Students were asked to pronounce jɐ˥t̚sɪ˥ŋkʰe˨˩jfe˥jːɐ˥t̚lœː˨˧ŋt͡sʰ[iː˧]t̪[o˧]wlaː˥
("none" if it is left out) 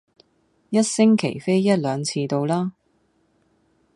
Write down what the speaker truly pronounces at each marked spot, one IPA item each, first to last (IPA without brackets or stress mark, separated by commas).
iː˧, o˧